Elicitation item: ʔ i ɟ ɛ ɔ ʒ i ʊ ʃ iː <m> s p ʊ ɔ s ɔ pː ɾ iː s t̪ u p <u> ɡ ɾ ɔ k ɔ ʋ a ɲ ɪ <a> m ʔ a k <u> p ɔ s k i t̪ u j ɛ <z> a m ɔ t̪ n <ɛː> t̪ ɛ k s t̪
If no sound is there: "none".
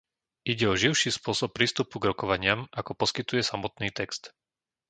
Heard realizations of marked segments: none, u, a, ɔ, s, iː

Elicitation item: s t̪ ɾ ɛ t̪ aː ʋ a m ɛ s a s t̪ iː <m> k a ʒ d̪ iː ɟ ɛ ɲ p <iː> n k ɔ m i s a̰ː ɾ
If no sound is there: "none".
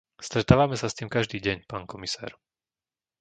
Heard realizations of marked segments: m, aː

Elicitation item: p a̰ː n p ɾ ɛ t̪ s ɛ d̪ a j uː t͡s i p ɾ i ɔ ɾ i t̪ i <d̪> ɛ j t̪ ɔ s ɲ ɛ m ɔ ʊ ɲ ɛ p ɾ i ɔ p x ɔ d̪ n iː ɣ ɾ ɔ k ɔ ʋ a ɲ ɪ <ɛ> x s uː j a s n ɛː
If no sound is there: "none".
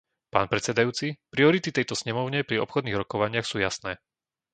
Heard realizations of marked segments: t̪, a

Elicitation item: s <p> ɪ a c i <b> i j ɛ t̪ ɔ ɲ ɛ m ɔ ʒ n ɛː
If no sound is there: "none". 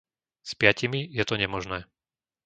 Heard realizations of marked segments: p, m

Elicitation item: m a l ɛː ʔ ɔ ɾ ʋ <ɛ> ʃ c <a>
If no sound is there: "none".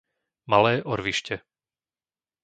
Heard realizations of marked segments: i, ɛ

